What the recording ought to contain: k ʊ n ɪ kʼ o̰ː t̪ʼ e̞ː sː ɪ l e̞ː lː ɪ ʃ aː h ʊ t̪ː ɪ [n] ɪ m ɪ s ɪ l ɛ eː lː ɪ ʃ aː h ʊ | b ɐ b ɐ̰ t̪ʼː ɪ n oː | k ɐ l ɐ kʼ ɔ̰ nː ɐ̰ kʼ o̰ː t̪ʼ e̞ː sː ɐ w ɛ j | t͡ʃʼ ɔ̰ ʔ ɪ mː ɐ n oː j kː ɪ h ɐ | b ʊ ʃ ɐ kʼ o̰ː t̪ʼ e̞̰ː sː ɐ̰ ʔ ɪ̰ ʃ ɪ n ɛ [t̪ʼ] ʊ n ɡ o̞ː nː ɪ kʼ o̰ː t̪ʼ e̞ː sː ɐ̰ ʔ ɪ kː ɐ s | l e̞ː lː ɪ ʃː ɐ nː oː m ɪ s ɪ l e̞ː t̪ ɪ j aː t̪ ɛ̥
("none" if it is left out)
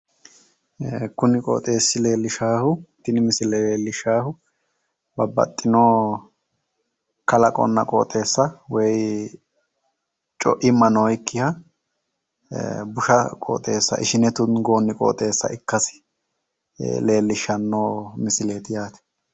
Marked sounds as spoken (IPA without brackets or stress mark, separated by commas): n, t̪